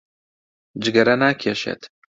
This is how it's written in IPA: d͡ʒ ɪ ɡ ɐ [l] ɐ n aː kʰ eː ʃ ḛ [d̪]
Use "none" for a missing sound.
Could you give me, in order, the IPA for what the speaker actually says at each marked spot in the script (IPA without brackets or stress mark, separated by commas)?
ɾ, t̪